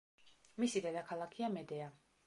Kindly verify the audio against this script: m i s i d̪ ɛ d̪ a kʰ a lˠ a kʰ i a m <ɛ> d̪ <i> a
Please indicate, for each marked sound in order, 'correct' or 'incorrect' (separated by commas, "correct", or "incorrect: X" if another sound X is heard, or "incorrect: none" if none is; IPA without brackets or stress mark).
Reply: correct, incorrect: ɛ